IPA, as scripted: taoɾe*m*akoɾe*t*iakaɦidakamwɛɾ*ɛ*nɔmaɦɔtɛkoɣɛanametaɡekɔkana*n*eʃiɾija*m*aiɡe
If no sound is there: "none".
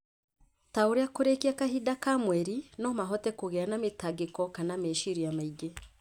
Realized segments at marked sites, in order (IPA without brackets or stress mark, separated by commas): none, k, i, m, m